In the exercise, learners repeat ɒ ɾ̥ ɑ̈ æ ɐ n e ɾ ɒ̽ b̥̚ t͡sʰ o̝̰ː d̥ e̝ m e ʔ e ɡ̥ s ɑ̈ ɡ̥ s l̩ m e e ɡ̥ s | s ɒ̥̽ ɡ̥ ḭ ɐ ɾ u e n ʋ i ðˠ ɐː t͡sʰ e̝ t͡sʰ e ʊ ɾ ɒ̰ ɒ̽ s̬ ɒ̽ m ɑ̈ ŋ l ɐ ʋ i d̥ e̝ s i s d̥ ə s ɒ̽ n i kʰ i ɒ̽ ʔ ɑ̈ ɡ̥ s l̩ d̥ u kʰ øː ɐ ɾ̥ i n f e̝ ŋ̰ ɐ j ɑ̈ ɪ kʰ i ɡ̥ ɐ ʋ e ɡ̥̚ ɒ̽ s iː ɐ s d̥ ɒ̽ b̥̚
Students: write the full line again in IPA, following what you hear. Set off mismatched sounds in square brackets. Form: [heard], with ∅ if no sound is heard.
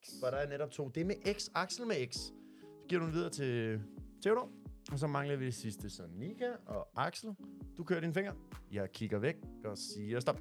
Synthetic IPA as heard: ɒ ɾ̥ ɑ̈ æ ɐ n e ɾ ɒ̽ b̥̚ t͡sʰ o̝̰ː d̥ e̝ m e ʔ e ɡ̥ s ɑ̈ ɡ̥ s l̩ m e e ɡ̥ s | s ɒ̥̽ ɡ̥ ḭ ɐ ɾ u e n ʋ i ðˠ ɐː t͡sʰ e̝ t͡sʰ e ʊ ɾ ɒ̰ ɒ̽ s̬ ɒ̽ m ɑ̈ ŋ l ɐ ʋ i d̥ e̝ s i s d̥ ə s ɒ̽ n i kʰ [æ] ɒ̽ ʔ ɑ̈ ɡ̥ s l̩ d̥ u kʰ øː ɐ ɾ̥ i n f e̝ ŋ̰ ɐ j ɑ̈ ɪ kʰ i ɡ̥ ɐ ʋ e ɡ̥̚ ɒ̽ s iː ɐ s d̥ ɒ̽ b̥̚